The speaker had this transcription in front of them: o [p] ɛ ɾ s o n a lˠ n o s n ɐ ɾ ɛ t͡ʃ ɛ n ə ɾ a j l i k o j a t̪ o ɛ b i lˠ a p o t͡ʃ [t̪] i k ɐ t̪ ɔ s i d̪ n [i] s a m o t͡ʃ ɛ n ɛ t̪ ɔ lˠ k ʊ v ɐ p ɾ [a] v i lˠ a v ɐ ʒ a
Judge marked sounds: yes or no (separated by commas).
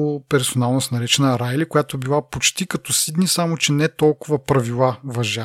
yes, yes, yes, no